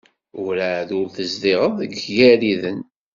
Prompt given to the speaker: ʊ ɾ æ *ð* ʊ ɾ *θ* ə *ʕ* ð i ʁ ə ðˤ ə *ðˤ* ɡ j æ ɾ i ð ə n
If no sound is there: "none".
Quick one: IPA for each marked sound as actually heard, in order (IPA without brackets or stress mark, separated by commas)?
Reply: ð, θ, z, none